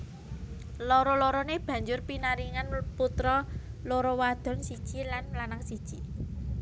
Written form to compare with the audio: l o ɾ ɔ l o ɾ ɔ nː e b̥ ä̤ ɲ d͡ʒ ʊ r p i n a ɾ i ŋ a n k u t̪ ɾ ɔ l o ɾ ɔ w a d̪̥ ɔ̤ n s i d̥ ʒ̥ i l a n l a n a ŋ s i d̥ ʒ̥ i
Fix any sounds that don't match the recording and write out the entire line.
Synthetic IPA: l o ɾ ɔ l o ɾ ɔ n e b̥ ä̤ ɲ d͡ʒ ʊ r p i n a ɾ i ŋ a n p u t̪ ɾ ɔ l o ɾ ɔ w a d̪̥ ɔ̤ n s i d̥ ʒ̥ i l a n l a n a ŋ s i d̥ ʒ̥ i